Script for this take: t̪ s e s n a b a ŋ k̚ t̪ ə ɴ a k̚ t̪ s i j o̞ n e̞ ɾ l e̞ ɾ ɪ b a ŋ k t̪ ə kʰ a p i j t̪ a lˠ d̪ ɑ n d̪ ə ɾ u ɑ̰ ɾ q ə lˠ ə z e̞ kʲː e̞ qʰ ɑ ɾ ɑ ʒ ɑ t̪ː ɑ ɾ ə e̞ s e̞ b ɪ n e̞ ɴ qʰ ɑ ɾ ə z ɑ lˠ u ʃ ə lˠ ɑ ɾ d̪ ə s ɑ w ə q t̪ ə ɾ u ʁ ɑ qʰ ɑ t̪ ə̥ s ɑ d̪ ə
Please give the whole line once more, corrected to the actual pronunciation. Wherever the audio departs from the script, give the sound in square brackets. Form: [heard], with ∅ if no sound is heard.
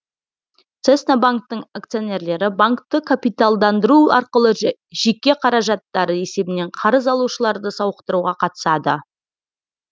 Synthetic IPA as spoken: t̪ s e s n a b a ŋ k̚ t̪ ə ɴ a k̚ t̪ s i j o̞ n e̞ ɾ l e̞ ɾ ɪ b a ŋ k t̪ ə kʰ a p i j t̪ a lˠ d̪ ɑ n d̪ ə ɾ u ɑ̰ ɾ q ə lˠ ə [ʒ] e̞ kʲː e̞ qʰ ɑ ɾ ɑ ʒ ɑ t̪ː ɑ ɾ ə e̞ s e̞ b ɪ n e̞ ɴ qʰ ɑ ɾ ə z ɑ lˠ u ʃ ə lˠ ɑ ɾ d̪ ə s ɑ w ə q t̪ ə ɾ u ʁ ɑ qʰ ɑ t̪ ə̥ s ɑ d̪ ə